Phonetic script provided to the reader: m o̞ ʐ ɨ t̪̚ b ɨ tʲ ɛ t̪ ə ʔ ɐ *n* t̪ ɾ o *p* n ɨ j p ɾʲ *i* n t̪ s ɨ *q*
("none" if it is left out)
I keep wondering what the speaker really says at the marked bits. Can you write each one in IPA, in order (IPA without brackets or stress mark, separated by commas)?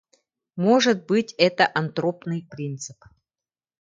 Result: n, p, i, p